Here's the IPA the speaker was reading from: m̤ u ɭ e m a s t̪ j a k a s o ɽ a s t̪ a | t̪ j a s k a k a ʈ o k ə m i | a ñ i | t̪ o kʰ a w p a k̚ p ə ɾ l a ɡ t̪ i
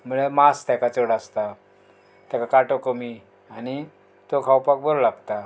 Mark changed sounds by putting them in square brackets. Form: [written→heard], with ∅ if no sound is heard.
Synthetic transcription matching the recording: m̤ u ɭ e m a s t̪ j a k a [s→t͡s] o ɽ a s t̪ a | t̪ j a [s→∅] k a k a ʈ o k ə m i | a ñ i | t̪ o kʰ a w p a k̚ [p→b] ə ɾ l a ɡ t̪ [i→a]

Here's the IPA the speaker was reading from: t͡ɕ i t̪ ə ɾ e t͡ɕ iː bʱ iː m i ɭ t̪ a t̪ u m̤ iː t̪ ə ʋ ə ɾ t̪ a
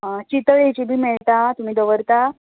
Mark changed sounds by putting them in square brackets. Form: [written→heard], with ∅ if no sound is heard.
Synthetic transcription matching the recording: t͡ɕ i t̪ ə [ɾ→ɭ] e t͡ɕ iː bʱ iː m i ɭ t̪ a t̪ u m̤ iː [t̪→d̪] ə ʋ ə ɾ t̪ a

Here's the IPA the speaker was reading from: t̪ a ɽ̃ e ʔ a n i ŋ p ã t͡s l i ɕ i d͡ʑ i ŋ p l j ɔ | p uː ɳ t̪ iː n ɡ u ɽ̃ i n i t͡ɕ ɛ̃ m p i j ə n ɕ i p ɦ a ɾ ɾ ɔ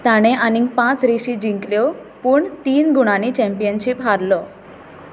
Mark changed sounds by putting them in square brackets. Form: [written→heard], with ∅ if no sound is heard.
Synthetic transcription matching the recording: t̪ a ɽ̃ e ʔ a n i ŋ p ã t͡s [l→ɾ] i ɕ i d͡ʑ i ŋ [p→k] l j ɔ | p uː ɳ t̪ iː n ɡ u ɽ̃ [i→a] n i t͡ɕ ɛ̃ m p i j ə n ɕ i p ɦ a ɾ [ɾ→l] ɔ

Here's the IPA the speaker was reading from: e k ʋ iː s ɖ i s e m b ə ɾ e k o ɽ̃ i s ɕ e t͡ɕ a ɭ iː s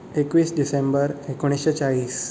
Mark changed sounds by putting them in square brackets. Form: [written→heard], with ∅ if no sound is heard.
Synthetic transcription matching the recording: e k ʋ iː s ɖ i s e m b ə ɾ e k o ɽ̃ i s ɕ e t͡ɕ a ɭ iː s

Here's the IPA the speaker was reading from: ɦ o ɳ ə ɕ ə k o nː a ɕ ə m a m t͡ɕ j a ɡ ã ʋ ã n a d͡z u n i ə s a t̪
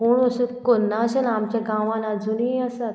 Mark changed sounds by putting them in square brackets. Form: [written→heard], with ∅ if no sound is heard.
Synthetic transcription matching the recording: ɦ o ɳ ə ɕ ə k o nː a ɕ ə [m→n] a m t͡ɕ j a ɡ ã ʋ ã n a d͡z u n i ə s a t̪

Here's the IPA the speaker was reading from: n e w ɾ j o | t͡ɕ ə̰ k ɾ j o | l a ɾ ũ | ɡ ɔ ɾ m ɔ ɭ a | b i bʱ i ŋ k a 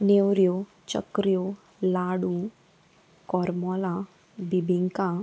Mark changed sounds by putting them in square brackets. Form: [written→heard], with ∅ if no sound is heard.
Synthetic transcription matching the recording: n e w ɾ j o | t͡ɕ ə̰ k ɾ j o | l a [ɾ→ɽ] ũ | [ɡ→k] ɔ ɾ m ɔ [ɭ→l] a | b i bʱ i ŋ k a

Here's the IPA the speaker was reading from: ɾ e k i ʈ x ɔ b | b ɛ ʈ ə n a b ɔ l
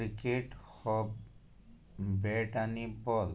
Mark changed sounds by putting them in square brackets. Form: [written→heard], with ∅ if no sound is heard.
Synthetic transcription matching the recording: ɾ [e→i] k [i→e] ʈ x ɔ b | b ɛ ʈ [ə→a] n [a→i] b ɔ l

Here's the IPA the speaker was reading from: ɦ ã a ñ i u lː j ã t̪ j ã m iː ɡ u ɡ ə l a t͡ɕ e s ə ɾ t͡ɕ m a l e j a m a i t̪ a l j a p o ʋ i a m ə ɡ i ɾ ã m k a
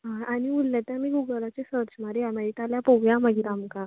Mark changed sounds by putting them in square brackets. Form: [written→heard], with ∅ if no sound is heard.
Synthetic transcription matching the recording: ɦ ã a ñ i u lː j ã t̪ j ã m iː ɡ u ɡ ə l a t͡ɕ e s ə ɾ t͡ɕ m a [l→ɾ] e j a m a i t̪ a l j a p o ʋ [i→j] a m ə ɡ i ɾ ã m k a

